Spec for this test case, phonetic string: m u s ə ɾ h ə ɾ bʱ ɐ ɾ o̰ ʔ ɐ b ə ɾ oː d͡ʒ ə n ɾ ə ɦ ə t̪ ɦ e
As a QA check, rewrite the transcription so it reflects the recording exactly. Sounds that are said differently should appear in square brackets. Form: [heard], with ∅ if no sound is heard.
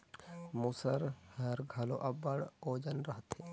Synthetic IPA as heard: m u s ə ɾ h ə ɾ [ɡʱ] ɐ [l] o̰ ʔ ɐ b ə [ɽ] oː d͡ʒ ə n ɾ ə ɦ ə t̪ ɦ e